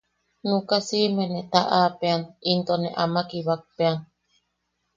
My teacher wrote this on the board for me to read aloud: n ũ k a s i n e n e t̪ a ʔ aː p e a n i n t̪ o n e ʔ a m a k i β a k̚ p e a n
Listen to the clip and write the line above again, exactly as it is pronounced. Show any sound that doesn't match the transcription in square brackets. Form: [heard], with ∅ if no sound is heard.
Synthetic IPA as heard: n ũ k a s i [m] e n e t̪ a ʔ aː p e a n i n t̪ o n e ʔ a m a k i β a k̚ p e a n